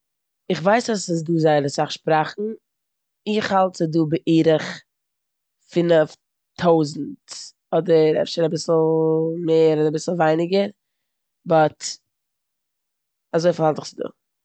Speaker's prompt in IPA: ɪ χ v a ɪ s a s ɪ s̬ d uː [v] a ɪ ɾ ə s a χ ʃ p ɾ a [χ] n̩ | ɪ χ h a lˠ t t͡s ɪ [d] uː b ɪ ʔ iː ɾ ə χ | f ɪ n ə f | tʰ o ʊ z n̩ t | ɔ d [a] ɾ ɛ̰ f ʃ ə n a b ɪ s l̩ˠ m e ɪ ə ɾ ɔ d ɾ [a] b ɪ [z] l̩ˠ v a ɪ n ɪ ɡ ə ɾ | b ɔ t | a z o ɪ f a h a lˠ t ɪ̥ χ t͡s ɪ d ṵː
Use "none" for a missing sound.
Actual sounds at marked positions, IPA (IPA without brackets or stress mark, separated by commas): z, χ, d, ə, a, s